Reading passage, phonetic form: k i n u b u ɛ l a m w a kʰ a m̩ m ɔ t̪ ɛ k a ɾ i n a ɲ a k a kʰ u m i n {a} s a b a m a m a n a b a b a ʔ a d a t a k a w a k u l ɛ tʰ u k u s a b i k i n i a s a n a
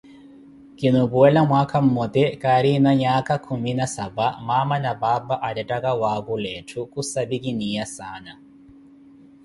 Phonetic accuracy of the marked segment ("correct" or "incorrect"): correct